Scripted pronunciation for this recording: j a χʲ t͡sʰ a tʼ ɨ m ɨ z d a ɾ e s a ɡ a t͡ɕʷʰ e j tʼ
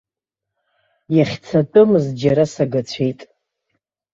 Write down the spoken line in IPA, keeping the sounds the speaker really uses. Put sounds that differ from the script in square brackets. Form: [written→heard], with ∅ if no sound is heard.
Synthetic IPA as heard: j a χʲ t͡sʰ a tʼ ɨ m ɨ z [d→d͡ʒ] a ɾ [e→a] s a ɡ a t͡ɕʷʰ e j tʼ